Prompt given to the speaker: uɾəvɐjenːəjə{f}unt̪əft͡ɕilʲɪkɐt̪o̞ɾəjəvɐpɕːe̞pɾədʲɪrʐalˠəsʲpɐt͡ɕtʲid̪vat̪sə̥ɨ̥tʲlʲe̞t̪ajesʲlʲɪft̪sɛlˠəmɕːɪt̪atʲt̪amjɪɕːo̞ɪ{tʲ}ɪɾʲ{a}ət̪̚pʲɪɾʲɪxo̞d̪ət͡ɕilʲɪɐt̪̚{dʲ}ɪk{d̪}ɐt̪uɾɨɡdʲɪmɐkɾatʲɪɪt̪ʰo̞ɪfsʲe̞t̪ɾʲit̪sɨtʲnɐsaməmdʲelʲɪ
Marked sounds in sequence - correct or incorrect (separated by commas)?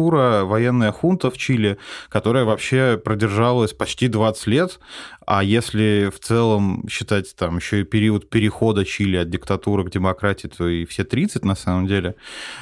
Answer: incorrect, incorrect, incorrect, correct, incorrect